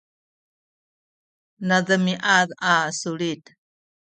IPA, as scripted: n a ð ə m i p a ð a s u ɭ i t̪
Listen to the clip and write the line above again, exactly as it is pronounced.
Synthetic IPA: n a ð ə m i ʔ a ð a s u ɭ i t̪